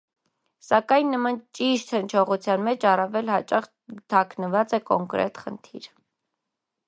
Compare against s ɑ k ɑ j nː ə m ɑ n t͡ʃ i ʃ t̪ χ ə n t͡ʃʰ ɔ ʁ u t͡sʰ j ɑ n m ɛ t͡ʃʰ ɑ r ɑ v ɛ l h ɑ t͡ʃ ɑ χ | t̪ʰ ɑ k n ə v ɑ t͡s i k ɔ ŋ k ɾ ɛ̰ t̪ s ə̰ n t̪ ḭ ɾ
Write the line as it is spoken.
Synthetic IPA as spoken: s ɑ k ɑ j nː ə m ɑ n t͡ʃ i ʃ t̪ h ə n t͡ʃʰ ɔ ʁ u t͡sʰ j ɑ n m ɛ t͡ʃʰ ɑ r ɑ v ɛ l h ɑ t͡ʃ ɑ χ | t̪ʰ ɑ k n ə v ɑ t͡s ɛ k ɔ ŋ k ɾ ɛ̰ t̪ χ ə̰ n t̪ʰ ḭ ɾ